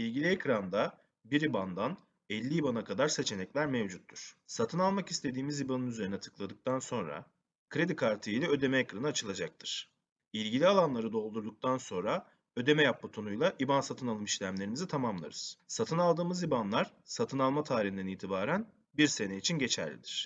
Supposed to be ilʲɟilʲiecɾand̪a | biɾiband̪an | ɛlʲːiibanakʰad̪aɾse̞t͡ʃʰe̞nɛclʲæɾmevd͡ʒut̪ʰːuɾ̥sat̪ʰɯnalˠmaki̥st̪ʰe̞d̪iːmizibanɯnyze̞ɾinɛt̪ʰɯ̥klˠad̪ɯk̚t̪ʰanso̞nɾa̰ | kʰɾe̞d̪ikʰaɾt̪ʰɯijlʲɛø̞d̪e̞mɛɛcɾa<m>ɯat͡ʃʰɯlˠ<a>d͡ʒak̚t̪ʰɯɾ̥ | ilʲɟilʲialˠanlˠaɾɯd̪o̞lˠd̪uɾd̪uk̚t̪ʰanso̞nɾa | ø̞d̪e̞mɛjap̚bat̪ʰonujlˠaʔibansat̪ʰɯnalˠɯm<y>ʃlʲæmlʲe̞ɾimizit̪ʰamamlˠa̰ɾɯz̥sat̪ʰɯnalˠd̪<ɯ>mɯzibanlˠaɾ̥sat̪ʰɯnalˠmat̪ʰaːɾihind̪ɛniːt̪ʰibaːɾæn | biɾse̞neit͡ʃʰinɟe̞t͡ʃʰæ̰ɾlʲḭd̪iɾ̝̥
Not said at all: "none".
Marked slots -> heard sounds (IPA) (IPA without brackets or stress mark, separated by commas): n, a, i, ɯː